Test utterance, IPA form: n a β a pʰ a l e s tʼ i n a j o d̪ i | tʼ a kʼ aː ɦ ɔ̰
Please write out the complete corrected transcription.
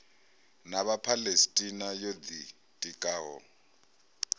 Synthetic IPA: n a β a pʰ a l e s tʼ i n a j o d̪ i | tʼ i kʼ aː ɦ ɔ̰